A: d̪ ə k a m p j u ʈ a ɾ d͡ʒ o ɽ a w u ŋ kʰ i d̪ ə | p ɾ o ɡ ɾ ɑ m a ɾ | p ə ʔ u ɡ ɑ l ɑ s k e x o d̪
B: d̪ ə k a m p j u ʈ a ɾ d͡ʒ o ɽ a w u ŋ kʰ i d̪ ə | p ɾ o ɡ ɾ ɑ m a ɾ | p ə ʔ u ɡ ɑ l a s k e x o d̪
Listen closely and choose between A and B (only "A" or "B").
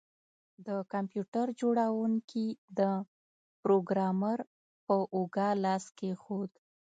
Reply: A